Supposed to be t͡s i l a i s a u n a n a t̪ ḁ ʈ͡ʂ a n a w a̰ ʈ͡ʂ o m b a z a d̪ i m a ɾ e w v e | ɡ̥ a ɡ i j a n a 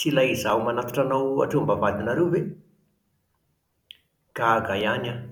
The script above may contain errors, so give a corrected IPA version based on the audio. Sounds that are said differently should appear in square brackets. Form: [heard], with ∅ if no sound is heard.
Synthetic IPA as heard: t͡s i l a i [z] a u [m] a n a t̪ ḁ ʈ͡ʂ a n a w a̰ ʈ͡ʂ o m b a [v] a d̪ i [n] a ɾ e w v e | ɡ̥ a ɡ [a] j a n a